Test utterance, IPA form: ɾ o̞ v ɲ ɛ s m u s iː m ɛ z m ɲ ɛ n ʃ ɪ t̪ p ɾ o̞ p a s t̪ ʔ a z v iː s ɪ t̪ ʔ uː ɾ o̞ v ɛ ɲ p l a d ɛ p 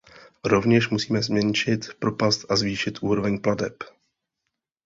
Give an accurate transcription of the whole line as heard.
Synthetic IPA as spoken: ɾ o̞ v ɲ ɛ ʃ m u s iː m ɛ z m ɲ ɛ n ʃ ɪ t̪ p ɾ o̞ p a s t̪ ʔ a z v iː ʃ ɪ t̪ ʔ uː ɾ o̞ v ɛ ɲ p l a d ɛ p

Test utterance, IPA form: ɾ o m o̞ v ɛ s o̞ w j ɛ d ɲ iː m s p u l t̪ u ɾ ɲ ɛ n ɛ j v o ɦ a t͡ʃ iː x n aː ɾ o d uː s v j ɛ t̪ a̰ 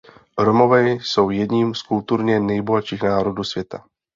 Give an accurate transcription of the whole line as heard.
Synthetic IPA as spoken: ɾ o m o̞ v ɛ s o̞ w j ɛ d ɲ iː m s k u l t̪ u ɾ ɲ ɛ n ɛ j b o ɦ a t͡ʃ iː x n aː ɾ o d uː s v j ɛ t̪ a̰

